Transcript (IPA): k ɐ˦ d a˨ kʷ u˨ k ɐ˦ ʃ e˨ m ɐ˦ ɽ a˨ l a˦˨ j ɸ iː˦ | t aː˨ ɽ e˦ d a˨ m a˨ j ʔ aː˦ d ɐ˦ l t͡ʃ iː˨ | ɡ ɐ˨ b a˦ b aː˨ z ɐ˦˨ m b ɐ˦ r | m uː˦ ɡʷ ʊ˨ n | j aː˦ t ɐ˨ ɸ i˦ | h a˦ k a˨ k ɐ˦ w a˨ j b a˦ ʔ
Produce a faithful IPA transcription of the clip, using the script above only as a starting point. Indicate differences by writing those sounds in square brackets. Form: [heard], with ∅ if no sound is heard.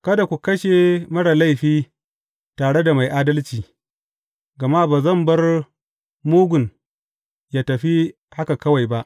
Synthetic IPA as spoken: k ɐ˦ d a˨ kʷ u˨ k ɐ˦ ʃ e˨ m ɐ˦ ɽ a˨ l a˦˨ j ɸ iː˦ | t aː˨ ɽ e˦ d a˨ m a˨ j ʔ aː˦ d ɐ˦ l t͡ʃ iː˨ | ɡ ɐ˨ [m] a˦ b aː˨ z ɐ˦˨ m b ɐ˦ r | m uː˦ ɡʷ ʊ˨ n | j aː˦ t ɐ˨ ɸ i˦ | h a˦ k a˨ k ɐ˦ w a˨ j b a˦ ʔ